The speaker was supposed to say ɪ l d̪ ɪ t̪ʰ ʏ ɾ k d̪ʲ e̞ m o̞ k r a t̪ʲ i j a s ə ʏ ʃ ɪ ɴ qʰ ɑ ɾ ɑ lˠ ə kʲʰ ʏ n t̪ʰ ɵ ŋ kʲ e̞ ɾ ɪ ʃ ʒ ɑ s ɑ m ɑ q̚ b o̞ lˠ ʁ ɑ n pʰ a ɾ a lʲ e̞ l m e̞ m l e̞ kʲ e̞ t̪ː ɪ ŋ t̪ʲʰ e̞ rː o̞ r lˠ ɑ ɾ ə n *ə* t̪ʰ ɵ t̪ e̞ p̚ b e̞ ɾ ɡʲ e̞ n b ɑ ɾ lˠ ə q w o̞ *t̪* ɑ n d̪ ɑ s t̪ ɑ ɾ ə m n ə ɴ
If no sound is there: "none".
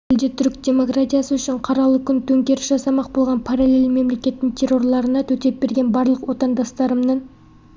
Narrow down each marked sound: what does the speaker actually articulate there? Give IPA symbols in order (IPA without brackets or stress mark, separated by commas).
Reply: ɑ, t̪